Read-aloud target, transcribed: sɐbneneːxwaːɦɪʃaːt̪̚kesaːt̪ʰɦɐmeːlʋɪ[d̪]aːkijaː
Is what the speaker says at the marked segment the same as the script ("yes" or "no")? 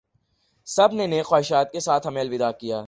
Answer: yes